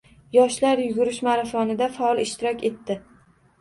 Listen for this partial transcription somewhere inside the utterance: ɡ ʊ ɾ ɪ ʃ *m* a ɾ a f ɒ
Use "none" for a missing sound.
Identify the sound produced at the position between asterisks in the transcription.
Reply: m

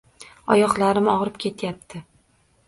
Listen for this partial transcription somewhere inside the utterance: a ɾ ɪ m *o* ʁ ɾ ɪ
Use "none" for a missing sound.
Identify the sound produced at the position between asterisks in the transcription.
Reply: ɒ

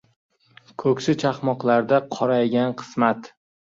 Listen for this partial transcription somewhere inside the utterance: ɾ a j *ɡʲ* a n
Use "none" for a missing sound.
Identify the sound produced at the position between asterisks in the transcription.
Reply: ɡʲ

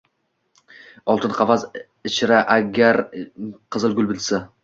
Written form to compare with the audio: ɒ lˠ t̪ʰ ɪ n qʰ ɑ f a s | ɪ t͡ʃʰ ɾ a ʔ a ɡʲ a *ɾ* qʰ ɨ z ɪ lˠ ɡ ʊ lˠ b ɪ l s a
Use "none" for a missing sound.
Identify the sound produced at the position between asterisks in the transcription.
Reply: ɾ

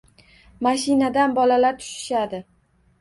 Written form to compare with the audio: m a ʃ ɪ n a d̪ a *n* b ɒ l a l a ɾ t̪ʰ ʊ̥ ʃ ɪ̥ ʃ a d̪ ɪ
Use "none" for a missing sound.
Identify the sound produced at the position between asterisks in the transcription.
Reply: n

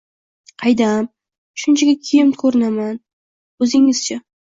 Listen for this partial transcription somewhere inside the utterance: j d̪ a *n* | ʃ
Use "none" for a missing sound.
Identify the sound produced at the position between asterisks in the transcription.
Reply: m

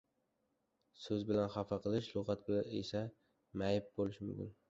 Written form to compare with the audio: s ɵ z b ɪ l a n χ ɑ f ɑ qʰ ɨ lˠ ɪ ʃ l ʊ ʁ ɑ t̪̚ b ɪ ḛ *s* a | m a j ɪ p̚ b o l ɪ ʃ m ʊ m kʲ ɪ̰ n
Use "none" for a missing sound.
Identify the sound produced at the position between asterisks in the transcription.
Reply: s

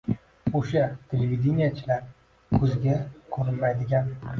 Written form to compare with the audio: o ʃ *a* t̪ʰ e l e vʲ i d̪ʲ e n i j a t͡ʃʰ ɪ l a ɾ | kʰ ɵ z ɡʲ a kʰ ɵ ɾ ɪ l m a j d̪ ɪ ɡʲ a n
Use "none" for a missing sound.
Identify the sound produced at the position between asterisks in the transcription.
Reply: a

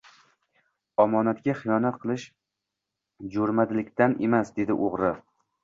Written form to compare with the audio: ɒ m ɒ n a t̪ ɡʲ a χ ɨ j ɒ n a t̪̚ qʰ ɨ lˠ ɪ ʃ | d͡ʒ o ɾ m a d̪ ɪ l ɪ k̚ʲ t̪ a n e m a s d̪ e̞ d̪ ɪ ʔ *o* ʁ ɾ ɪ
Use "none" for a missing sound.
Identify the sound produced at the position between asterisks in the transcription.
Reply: o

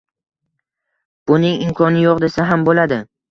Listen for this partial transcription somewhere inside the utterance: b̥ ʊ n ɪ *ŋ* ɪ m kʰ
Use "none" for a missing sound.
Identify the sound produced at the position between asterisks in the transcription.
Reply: ŋ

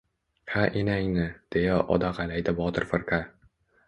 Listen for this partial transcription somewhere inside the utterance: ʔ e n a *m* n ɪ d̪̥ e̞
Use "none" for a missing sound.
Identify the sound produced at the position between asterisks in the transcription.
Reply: ŋ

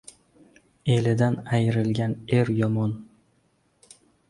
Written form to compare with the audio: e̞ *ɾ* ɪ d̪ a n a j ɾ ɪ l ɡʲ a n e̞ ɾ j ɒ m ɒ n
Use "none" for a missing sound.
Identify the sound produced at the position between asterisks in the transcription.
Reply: l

